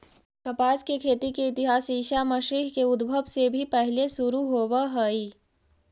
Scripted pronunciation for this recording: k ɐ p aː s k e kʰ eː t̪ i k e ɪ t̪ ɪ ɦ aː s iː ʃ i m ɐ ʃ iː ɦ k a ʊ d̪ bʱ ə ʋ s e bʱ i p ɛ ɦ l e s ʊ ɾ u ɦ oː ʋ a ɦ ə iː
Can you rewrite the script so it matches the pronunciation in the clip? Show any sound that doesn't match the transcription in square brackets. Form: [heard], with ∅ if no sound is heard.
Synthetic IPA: k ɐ p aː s k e kʰ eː t̪ i k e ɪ t̪ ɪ ɦ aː s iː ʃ [a] m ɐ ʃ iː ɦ k [e] ʊ d̪ bʱ ə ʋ s e bʱ i p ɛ ɦ l e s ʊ ɾ u ɦ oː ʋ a ɦ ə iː